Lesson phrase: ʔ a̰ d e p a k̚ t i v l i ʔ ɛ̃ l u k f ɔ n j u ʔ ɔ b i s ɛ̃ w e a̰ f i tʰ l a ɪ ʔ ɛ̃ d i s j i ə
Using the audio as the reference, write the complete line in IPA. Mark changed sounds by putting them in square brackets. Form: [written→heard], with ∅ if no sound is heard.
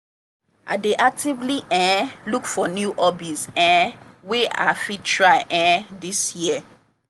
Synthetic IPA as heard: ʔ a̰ d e [p→ʔ] a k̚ t i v l i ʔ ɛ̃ l u k f ɔ n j u ʔ ɔ b i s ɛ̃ w e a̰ f i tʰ [l→ɹ] a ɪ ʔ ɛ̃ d i s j i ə